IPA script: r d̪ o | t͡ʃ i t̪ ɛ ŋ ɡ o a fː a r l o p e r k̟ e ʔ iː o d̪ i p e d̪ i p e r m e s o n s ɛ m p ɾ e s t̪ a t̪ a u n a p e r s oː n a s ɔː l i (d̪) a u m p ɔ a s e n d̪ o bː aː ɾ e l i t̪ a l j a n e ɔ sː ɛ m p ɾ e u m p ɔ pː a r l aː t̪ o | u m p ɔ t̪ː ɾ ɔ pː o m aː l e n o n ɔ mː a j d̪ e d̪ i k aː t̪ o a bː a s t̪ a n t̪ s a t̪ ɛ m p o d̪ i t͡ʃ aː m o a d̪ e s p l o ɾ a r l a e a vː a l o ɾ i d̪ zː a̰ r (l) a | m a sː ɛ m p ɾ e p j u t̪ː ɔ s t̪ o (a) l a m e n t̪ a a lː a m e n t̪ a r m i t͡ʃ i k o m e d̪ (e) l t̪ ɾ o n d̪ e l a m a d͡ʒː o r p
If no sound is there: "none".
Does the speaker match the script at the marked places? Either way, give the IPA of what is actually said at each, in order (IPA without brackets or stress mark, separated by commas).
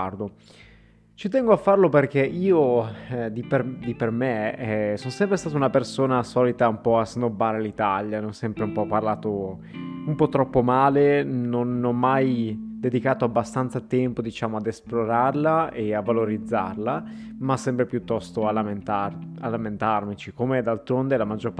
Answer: t̪, l, a, a